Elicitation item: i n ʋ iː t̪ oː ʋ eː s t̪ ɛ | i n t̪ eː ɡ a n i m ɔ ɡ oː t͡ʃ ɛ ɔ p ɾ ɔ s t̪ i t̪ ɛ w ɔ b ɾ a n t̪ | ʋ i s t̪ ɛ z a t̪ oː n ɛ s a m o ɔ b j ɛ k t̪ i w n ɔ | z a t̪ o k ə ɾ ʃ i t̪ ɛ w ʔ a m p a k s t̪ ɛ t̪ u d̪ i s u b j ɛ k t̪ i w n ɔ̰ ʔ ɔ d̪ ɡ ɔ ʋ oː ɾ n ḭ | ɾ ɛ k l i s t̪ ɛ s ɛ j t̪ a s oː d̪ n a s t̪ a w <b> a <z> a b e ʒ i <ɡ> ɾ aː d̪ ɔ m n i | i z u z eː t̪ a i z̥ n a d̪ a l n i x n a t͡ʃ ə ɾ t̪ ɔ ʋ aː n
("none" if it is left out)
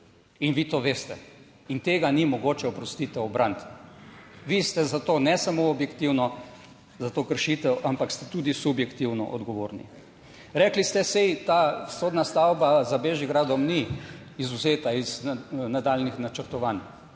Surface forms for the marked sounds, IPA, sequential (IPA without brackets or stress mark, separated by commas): b, z, ɡ